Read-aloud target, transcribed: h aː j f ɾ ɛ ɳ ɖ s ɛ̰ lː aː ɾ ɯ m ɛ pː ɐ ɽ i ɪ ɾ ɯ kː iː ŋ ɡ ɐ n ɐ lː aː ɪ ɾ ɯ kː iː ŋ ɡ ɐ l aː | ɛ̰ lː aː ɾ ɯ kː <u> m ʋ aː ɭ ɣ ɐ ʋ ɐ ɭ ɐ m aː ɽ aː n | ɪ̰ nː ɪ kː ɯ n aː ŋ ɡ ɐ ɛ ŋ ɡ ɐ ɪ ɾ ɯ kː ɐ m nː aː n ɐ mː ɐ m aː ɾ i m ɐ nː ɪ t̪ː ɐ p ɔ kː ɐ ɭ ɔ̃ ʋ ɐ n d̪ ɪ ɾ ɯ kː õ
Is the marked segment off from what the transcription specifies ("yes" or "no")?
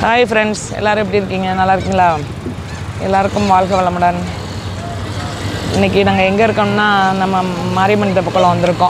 yes